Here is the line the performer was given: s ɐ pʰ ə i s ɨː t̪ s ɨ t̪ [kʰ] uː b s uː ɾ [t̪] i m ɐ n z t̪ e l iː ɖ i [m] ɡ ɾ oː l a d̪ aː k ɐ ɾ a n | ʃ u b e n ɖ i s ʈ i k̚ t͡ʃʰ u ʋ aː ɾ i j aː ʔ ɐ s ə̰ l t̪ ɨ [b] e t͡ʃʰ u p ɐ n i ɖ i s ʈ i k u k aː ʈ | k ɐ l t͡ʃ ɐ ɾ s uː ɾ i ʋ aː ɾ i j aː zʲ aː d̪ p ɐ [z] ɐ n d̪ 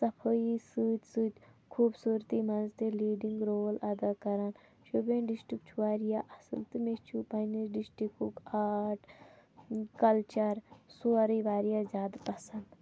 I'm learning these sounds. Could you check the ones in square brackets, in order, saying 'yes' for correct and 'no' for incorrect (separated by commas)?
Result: yes, yes, no, no, no